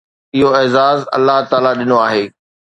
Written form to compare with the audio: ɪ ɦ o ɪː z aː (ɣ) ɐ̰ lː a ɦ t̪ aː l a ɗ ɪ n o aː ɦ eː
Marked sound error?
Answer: yes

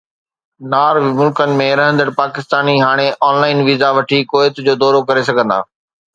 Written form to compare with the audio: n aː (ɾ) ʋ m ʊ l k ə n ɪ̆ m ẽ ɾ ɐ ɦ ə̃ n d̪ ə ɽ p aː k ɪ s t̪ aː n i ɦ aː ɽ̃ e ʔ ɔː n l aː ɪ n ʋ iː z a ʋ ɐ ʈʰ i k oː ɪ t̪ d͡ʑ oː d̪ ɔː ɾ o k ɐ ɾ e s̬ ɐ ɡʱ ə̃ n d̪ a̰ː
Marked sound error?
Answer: no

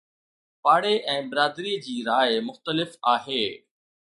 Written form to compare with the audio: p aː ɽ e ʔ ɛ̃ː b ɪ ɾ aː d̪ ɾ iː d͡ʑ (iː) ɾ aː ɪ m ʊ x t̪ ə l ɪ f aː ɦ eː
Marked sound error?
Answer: no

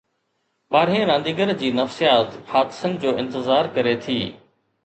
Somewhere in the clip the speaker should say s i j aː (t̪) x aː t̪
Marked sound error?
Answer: no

